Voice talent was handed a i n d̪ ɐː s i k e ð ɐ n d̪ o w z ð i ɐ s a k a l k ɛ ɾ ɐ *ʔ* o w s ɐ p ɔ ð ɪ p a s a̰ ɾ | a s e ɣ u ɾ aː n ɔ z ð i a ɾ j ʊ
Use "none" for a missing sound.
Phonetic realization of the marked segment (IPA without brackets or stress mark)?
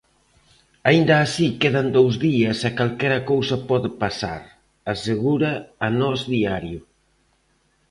k